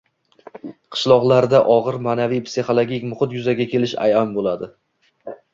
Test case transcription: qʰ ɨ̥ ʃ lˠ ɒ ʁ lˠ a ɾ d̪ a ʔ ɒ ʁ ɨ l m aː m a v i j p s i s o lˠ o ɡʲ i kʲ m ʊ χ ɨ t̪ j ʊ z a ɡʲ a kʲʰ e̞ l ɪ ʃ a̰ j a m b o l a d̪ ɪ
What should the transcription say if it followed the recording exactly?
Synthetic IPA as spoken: qʰ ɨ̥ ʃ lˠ ɒ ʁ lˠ a ɾ d̪ a ʔ ɒ ʁ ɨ ɾ m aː n a v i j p s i χ o lˠ o ɡʲ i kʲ m ʊ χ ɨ t̪ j ʊ z a ɡʲ a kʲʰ e̞ l ɪ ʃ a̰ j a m b o l a d̪ ɪ

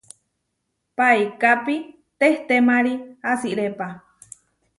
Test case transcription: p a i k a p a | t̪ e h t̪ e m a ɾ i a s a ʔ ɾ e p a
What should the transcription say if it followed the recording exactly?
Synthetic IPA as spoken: p a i k a p i | t̪ e h t̪ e m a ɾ i a s i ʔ ɾ e p a

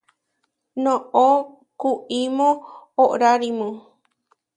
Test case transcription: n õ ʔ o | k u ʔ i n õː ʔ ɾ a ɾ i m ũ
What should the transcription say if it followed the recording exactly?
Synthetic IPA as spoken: n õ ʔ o | k u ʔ i m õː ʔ ɾ a ɾ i m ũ

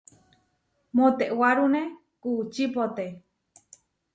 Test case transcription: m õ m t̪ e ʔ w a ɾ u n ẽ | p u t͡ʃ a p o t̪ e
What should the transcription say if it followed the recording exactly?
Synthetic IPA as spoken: m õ t̪ e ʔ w a ɾ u n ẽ | k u t͡ʃ i p o t̪ e

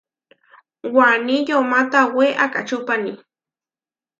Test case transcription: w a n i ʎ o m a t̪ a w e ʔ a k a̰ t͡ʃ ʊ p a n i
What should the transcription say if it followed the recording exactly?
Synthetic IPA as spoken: w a n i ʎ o m a t̪ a w e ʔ a k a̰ t͡ʃ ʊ p a n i

